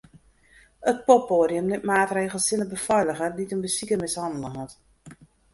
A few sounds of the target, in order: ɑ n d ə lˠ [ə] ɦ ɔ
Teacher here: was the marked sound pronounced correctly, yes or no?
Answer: yes